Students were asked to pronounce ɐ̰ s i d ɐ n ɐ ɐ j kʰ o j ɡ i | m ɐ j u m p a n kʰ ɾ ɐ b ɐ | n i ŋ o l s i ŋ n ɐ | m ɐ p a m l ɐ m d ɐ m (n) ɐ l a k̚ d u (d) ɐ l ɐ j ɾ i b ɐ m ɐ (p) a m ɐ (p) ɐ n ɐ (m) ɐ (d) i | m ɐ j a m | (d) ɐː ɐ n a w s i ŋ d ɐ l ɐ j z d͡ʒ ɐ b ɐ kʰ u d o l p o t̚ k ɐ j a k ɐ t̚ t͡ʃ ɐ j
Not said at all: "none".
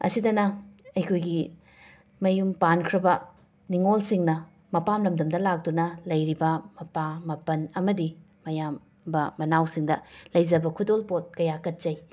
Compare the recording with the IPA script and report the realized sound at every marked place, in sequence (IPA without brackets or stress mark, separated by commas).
d, n, p, p, m, d, b